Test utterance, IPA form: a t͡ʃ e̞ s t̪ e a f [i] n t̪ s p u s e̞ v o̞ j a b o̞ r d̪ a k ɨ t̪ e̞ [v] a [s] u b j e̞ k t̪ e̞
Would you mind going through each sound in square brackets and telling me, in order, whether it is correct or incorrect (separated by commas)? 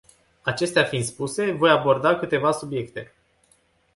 correct, correct, correct